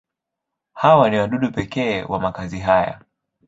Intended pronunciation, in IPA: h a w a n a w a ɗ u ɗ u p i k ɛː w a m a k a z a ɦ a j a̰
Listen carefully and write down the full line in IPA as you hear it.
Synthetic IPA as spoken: h a w a n i w a ɗ u ɗ u p ɛ k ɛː w a m a k a z i ɦ a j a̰